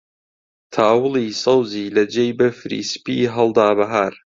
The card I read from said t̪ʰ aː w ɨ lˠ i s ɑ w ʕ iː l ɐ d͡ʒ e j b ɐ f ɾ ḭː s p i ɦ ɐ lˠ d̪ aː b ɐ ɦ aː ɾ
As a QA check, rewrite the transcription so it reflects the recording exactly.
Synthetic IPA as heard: t̪ʰ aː w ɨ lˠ i s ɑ w z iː l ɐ d͡ʒ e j b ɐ f ɾ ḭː s p i ɦ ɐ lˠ d̪ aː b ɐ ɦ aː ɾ

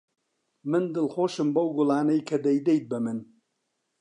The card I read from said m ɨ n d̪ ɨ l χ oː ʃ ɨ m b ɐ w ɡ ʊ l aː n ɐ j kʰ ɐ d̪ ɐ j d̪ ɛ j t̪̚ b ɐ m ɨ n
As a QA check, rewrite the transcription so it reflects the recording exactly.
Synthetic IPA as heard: m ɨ n d̪ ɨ l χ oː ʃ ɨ m b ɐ w ɡ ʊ l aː n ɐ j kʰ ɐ d̪ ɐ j d̪ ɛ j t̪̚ b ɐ m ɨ n

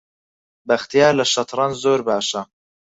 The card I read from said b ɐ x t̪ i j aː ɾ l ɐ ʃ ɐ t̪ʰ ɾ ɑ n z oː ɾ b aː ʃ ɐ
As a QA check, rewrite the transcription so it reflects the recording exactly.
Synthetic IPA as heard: b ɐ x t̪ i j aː ɾ l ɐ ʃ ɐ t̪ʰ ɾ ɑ n z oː ɾ b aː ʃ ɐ

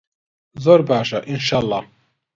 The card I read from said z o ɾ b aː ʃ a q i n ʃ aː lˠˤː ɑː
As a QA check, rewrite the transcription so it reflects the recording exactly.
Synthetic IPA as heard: z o ɾ b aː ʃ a ʔ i n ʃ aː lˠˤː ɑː

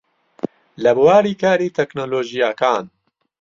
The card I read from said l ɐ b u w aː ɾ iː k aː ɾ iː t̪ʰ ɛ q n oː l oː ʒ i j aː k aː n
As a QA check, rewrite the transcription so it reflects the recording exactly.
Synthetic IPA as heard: l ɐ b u w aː ɾ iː k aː ɾ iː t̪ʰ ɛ k n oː l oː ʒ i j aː k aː n

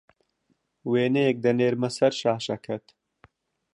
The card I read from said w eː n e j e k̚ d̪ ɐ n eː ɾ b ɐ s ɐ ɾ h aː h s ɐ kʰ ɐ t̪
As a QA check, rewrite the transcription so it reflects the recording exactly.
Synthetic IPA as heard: w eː n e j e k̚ d̪ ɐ n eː ɾ m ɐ s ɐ ɾ ʃ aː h ʃ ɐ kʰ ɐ t̪

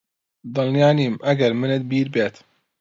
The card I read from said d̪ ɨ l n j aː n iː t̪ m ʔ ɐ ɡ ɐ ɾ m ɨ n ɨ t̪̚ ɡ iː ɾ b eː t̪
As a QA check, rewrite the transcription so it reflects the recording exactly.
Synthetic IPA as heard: d̪ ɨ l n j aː n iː m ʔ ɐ ɡ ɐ ɾ m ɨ n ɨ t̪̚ b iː ɾ b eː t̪

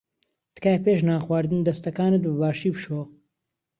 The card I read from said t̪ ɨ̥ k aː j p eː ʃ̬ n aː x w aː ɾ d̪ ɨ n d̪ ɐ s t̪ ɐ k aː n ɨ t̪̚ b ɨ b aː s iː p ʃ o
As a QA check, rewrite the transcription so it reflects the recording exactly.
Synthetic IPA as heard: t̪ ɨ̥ k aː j p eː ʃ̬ n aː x w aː ɾ d̪ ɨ n d̪ ɐ s t̪ ɐ k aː n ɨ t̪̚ b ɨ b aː ʃ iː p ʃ o

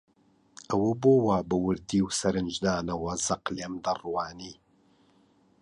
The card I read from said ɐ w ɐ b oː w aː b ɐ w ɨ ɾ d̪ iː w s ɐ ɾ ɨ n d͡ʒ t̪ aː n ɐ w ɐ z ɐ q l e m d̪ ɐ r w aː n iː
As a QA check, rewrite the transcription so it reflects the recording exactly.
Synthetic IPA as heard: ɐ w ɐ b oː w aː b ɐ w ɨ ɾ d̪ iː w s ɐ ɾ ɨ n d͡ʒ d̪ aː n ɐ w ɐ z ɐ q l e m d̪ ɐ r w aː n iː

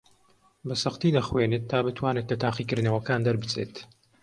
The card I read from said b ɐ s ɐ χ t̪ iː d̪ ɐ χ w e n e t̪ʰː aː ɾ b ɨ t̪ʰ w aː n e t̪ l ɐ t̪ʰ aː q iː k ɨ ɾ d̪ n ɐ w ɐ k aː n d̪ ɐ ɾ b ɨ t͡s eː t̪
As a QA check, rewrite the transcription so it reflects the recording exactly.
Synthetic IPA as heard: b ɐ s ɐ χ t̪ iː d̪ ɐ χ w e n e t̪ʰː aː b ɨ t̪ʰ w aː n e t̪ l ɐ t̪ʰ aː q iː k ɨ ɾ d̪ n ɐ w ɐ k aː n d̪ ɐ ɾ b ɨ t͡s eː t̪

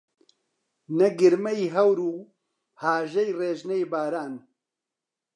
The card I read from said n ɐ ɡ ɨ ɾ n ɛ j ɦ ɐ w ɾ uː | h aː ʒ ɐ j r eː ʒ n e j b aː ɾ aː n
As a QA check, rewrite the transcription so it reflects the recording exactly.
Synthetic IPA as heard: n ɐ ɡ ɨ ɾ m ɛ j ɦ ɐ w ɾ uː | h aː ʒ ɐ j r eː ʒ n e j b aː ɾ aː n

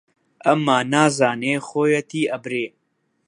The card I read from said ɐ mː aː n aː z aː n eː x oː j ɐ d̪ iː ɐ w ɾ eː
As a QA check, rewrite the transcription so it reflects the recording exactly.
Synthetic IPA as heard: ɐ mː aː n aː z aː n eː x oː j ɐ t̪ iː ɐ b ɾ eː

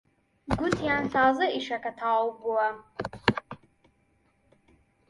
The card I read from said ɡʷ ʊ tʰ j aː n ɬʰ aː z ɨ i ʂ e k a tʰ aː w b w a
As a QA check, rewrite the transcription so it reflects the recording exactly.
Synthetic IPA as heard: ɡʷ ʊ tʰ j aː n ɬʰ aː z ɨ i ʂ a k a tʰ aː w b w a

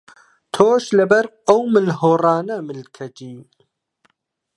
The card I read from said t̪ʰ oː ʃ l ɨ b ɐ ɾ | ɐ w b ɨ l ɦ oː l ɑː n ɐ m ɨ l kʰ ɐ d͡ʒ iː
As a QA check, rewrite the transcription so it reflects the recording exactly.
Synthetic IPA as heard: t̪ʰ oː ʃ l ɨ b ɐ ɾ | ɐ w m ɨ l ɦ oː r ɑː n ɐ m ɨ l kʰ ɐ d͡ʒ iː

